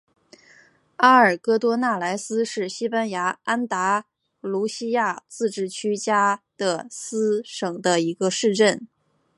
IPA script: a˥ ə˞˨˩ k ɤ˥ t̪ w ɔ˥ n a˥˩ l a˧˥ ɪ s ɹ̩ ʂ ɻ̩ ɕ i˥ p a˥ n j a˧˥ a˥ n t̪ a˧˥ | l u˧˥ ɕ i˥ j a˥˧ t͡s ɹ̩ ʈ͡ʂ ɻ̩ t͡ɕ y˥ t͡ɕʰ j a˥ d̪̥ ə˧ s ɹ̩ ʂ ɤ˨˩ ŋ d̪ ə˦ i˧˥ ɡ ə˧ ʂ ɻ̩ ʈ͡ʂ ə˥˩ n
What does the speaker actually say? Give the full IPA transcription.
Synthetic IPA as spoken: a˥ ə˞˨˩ k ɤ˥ t̪ w ɔ˥ n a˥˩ l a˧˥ ɪ s ɹ̩ ʂ ɻ̩ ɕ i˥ p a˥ n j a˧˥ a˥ n t̪ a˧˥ | l u˧˥ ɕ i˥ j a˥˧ t͡s ɹ̩ ʈ͡ʂ ɻ̩ t͡ɕʰ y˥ t͡ɕ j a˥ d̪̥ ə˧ s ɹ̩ ʂ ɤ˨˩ ŋ d̪ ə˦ i˧˥ ɡ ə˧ ʂ ɻ̩ ʈ͡ʂ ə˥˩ n